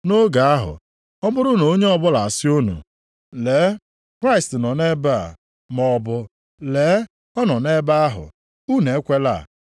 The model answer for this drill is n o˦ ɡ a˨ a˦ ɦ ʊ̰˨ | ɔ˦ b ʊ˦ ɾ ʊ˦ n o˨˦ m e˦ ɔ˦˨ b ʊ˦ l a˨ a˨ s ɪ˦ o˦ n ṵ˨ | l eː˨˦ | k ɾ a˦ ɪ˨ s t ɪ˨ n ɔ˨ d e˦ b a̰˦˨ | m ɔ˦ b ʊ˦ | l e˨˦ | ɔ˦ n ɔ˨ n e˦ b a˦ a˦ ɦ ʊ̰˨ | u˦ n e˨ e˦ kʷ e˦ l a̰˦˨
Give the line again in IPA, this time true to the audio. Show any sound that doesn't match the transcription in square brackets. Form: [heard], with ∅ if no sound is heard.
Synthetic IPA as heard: n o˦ ɡ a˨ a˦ ɦ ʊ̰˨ | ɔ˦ b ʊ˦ ɾ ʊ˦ n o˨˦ [ɲ] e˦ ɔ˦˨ b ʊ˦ l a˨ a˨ s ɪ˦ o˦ n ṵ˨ | l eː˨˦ | k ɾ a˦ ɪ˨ s t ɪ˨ n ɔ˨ [n] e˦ b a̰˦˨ | m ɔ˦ b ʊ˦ | l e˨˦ | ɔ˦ n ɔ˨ n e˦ b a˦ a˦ ɦ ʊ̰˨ | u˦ n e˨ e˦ kʷ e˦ l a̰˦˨